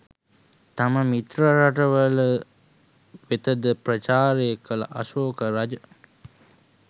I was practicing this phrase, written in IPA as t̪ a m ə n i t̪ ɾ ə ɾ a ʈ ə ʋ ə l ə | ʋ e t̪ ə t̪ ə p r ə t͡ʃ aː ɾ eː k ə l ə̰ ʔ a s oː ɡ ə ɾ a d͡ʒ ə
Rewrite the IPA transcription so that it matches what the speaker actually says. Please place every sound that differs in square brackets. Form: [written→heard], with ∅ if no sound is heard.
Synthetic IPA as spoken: t̪ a m ə [n→m] i t̪ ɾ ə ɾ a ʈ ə ʋ ə l ə | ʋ e t̪ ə [t̪→d̪] ə p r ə t͡ʃ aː ɾ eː k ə l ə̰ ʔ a s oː [ɡ→k] ə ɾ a d͡ʒ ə